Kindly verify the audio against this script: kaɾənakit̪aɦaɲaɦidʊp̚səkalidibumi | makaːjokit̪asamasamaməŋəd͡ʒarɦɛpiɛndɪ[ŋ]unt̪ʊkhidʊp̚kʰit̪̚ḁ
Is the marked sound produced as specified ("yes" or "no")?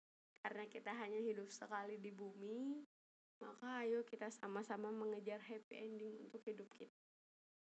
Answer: yes